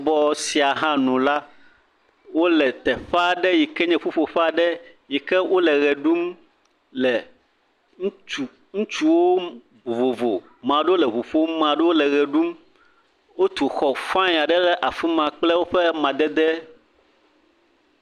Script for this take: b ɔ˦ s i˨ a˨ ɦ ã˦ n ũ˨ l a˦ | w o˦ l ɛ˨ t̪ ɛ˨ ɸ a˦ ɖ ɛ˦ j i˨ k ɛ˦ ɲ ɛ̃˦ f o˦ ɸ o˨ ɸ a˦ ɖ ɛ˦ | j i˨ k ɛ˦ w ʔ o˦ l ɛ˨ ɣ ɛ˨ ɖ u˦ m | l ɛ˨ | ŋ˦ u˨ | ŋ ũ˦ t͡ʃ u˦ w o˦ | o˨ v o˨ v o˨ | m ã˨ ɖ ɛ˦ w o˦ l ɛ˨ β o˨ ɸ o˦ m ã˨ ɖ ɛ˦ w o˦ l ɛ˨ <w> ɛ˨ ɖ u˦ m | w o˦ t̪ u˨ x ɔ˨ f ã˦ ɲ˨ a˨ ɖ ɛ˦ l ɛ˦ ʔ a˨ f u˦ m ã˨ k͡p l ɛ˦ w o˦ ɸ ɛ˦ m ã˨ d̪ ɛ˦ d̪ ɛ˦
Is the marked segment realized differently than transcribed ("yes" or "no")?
yes